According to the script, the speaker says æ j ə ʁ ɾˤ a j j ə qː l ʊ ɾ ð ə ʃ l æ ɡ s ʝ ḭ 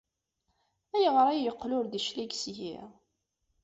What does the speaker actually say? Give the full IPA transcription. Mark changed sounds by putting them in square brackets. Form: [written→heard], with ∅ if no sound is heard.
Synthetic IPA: æ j ə ʁ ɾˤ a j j ə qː l ʊ ɾ ð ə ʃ l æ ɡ s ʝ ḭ